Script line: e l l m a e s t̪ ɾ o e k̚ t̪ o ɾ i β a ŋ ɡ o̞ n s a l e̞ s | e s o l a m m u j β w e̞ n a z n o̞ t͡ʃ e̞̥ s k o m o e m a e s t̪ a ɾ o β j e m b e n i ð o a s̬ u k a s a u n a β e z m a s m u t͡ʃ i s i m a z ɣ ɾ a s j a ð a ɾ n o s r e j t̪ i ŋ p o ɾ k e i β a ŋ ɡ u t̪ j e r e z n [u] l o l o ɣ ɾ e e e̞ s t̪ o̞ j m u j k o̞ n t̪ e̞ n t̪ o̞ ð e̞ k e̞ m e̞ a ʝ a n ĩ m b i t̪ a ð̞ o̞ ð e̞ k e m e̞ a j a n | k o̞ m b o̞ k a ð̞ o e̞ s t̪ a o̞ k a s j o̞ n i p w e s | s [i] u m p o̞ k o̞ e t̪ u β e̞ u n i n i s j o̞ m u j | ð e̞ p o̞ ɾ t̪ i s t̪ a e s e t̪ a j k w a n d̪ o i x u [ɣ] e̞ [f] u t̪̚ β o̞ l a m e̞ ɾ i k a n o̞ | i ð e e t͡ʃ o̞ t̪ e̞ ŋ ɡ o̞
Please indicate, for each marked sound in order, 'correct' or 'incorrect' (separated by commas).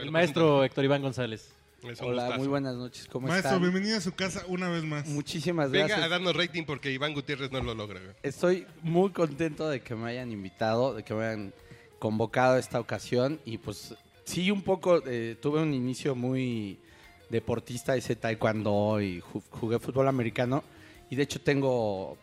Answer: incorrect, correct, correct, correct